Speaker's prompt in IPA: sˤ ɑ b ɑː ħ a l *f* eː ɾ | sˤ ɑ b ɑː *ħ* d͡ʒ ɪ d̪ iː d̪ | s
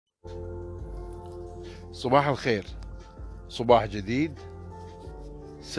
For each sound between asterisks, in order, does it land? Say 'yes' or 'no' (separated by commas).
no, yes